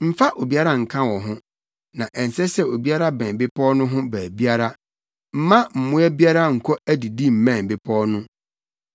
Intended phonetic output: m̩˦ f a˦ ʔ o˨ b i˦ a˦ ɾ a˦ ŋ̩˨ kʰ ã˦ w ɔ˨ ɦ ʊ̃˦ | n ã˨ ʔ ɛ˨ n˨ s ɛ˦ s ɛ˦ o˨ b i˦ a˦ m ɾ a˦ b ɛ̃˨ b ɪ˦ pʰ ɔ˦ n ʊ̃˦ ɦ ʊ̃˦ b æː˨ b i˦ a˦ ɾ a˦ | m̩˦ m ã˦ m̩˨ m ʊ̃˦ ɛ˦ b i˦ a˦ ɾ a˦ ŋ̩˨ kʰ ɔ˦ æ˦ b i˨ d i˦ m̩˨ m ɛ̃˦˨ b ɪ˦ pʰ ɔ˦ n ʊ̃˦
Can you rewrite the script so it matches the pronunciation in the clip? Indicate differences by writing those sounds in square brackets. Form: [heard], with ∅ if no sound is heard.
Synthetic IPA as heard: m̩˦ f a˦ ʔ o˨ b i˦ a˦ ɾ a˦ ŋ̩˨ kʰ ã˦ w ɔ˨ ɦ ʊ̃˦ | n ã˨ ʔ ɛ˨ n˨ s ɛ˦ s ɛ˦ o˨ b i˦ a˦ [∅] ɾ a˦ b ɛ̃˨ b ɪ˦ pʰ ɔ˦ n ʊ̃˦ ɦ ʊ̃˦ b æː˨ b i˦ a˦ ɾ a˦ | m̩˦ m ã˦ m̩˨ m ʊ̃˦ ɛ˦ b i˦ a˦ ɾ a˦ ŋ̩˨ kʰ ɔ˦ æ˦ [d] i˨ d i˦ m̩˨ m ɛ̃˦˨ b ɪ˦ pʰ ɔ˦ n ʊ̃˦